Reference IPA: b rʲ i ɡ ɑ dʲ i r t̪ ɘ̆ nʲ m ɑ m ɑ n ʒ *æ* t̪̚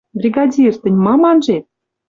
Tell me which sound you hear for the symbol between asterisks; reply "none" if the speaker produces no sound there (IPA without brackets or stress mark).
e